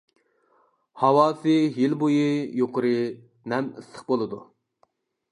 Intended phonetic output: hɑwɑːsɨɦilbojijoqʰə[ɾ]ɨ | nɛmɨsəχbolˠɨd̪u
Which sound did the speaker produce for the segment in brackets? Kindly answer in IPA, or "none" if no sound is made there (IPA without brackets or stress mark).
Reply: ɾ